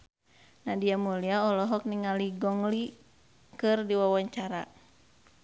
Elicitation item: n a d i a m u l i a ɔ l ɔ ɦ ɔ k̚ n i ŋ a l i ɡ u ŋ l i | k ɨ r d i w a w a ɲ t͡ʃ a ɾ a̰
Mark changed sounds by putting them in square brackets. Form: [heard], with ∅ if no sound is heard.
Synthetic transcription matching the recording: n a d i a m u l i a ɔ l ɔ ɦ ɔ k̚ n i ŋ a l i ɡ [ɔ] ŋ l i | k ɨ r d i w a w a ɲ t͡ʃ a ɾ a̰